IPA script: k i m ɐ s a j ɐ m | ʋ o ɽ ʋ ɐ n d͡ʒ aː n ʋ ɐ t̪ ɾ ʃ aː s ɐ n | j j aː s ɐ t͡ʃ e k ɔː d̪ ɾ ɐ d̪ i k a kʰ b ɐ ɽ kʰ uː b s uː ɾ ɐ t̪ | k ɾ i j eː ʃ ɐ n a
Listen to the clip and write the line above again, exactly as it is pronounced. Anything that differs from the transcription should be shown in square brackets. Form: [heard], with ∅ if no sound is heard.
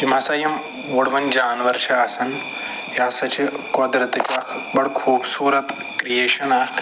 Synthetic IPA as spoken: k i m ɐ s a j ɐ m | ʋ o ɽ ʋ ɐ n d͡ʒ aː n ʋ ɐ [∅] ɾ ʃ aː s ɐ n | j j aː s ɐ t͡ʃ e k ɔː d̪ ɾ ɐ [t̪] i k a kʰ b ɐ ɽ kʰ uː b s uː ɾ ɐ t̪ | k ɾ i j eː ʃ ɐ n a

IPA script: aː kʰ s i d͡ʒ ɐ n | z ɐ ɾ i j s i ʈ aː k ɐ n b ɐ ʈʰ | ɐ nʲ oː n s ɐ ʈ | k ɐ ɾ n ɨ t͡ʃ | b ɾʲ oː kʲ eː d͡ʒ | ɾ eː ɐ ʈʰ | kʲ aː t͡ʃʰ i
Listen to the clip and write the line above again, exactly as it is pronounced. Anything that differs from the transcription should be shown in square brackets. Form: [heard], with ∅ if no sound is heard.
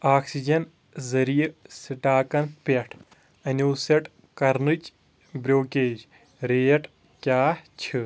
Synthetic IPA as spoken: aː [k] s i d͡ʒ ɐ n | z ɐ ɾ i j s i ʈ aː k ɐ n [p] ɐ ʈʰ | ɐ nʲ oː [∅] s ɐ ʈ | k ɐ ɾ n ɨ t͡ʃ | b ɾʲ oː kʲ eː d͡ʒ | ɾ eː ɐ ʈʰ | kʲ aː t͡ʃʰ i

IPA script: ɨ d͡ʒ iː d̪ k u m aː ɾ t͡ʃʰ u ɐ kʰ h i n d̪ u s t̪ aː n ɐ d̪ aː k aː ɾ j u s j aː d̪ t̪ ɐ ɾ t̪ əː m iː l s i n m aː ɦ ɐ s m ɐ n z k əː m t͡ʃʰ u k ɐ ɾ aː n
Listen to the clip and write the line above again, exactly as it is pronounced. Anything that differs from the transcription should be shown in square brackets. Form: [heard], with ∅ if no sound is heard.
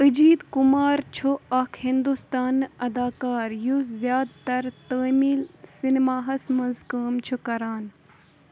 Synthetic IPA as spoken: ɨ d͡ʒ iː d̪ k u m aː ɾ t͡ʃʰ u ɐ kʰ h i n d̪ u s t̪ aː n ɐ d̪ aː k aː ɾ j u [z] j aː d̪ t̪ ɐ ɾ t̪ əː m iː l s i n m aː ɦ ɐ s m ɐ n z k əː m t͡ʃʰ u k ɐ ɾ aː n

